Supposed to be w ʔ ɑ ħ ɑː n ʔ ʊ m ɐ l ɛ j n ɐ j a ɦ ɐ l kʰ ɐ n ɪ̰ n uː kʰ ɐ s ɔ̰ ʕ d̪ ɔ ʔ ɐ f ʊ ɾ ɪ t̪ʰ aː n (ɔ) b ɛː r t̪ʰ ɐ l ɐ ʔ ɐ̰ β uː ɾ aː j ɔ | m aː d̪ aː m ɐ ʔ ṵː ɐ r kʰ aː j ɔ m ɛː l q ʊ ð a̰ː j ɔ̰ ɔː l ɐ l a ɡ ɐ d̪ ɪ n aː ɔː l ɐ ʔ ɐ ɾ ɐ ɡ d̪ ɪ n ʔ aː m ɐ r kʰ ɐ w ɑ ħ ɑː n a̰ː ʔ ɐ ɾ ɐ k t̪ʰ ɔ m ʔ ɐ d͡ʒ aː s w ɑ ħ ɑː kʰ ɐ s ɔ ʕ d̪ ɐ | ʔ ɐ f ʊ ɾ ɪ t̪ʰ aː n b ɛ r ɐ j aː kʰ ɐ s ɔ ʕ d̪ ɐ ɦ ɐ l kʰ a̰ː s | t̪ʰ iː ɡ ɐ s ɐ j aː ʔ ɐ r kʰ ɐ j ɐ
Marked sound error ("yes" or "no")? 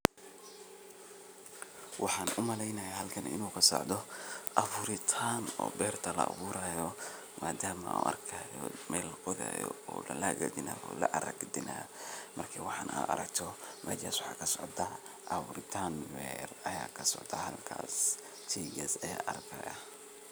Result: yes